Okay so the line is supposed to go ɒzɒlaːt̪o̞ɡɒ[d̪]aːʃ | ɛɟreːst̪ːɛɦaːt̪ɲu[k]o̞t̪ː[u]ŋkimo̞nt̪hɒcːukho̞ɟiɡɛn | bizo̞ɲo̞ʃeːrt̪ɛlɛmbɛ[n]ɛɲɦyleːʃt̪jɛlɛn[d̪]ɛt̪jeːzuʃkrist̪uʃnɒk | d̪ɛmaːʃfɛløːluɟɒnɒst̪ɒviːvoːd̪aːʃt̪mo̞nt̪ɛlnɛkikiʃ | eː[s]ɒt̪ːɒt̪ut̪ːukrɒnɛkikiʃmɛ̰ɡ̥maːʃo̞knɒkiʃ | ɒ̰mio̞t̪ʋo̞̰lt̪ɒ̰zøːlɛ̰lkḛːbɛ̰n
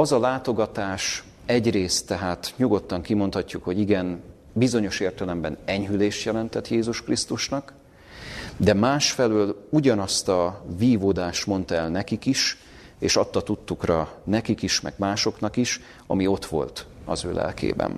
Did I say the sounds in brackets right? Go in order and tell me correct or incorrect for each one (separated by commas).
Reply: incorrect, incorrect, incorrect, correct, incorrect, incorrect